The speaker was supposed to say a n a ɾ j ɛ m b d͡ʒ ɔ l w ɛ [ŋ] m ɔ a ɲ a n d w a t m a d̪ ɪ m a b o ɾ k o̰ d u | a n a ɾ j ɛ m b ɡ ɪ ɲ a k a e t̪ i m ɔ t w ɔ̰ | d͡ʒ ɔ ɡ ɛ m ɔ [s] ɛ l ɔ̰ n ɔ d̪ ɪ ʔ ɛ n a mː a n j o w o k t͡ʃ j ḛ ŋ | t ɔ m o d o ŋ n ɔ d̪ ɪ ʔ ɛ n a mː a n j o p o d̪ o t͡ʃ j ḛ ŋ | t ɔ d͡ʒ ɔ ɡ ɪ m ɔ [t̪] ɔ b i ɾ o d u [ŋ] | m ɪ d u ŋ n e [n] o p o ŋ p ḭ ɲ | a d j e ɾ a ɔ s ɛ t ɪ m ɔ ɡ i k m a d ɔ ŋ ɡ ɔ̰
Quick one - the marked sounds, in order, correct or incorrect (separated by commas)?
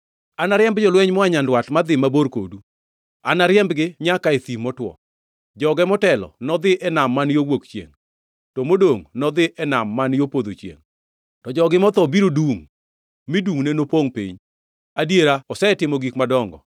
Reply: incorrect, incorrect, correct, correct, correct